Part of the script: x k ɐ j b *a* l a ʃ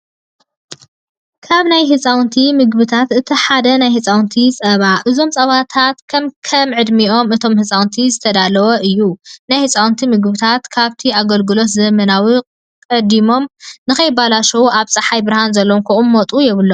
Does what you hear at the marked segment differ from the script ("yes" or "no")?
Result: no